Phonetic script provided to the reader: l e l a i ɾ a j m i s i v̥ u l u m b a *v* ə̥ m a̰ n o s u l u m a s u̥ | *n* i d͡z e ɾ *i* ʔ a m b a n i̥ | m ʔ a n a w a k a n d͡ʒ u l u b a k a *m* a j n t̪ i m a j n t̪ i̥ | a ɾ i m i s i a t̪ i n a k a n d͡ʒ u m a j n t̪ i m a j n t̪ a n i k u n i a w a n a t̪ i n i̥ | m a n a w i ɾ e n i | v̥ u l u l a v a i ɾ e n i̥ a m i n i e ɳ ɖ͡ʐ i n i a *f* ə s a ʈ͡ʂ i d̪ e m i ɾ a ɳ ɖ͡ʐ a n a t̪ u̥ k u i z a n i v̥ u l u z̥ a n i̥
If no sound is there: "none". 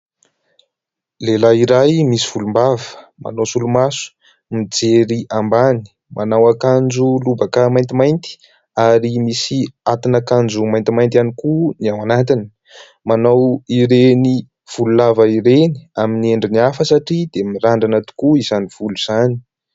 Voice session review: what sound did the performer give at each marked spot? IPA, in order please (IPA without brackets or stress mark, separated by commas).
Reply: v, m, i, m, f